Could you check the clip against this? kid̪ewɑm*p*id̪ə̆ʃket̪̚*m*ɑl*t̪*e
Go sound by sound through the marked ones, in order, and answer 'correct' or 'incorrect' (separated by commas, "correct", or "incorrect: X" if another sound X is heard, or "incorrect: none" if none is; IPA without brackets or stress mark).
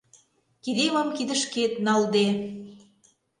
incorrect: k, incorrect: n, incorrect: d̪